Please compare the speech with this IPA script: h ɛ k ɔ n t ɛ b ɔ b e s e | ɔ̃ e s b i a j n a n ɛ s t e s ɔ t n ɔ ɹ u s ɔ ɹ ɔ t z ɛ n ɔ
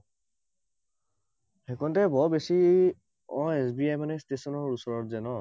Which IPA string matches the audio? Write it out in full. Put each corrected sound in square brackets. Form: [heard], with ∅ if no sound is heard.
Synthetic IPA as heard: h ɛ k ɔ n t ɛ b ɔ b e s [i] | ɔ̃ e s b i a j [m] a n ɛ s t e s ɔ [∅] n ɔ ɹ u s ɔ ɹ ɔ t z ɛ n ɔ